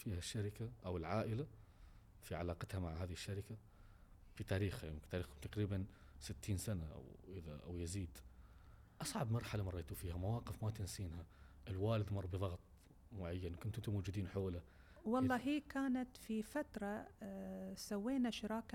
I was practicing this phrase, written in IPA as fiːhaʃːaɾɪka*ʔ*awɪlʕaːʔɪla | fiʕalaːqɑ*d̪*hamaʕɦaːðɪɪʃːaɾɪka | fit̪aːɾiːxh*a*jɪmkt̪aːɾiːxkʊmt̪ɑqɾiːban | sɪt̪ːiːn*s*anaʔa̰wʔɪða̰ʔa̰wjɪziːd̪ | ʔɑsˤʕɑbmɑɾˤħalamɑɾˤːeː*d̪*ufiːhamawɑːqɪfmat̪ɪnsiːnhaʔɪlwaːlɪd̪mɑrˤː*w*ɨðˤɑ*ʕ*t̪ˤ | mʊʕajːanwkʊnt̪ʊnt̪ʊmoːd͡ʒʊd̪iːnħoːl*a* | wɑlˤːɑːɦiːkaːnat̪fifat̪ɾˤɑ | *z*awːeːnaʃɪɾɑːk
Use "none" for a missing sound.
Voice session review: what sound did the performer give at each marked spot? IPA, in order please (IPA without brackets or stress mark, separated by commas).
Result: ʔ, t̪, a, s, t̪, b, ɣ, a, s